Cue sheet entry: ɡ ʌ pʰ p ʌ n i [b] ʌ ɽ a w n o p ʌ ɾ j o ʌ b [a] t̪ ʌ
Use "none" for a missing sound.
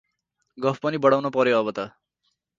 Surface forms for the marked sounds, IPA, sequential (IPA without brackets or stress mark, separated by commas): b, ʌ